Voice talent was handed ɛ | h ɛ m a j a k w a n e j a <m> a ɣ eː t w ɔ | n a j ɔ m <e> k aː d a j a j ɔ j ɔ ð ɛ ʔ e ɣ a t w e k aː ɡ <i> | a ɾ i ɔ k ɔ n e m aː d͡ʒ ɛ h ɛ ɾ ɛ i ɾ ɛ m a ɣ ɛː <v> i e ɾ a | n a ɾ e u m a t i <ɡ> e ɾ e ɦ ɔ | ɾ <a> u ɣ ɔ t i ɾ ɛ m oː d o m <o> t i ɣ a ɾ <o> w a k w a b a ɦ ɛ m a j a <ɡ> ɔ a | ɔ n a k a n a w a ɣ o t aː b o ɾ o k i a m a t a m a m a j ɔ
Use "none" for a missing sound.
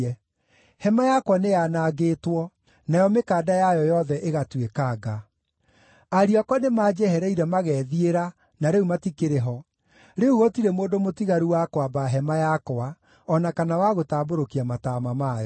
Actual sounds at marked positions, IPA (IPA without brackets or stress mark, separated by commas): n, e, a, ð, k, e, o, u, k